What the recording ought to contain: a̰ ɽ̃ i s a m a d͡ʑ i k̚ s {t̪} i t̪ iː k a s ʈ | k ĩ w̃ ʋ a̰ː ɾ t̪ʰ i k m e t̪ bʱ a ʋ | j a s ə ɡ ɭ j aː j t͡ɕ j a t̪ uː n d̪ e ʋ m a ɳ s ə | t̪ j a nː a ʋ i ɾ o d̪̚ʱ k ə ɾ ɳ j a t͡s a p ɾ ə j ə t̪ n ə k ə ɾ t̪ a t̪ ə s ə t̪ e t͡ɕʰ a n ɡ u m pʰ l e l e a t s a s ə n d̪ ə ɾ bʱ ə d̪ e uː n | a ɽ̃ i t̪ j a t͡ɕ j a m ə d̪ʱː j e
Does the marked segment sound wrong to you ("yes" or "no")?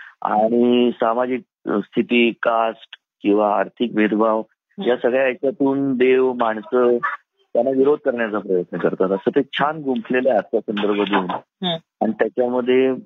yes